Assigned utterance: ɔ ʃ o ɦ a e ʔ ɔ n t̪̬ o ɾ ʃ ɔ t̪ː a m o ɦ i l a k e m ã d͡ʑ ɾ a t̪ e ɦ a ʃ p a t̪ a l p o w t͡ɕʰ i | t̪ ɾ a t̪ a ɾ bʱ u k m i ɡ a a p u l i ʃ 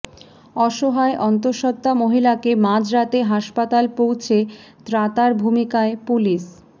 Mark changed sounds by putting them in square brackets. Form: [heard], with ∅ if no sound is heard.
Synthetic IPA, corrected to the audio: ɔ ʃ o ɦ a e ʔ ɔ n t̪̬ o ɾ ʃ ɔ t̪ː a m o ɦ i l a k e m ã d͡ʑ ɾ a t̪ e ɦ a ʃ p a t̪ a l p o w t͡ɕʰ [e] | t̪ ɾ a t̪ a ɾ bʱ u [∅] m i [k] a [e] p u l i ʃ